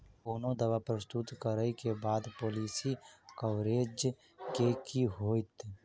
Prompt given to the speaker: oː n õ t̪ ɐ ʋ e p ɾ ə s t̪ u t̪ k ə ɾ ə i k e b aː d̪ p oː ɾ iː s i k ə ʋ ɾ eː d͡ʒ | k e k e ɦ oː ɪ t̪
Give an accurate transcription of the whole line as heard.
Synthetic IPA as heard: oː n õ d̪ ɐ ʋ a p ɾ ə s t̪ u t̪ k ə ɾ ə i k e b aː d̪ p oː l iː s i k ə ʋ ɾ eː d͡ʒ | k e k i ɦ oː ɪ t̪